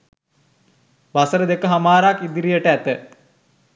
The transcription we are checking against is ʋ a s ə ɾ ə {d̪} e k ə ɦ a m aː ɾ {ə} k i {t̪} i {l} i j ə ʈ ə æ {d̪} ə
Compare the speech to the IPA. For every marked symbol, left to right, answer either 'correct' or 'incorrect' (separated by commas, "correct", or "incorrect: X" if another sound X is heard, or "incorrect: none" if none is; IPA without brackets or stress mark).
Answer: correct, incorrect: a, incorrect: d̪, incorrect: ɾ, incorrect: t̪